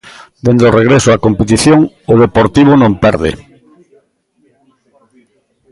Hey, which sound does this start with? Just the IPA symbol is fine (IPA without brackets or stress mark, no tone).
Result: d̪